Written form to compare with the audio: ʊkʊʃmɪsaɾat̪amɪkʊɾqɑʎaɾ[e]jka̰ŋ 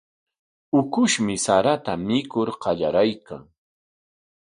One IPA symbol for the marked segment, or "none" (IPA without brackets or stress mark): a